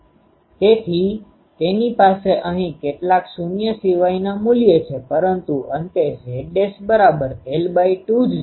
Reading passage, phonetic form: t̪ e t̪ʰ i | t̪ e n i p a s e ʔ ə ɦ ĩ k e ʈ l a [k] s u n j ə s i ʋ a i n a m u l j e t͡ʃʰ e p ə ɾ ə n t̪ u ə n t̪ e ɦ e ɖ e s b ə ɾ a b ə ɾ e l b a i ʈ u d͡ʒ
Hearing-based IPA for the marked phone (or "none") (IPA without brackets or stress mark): k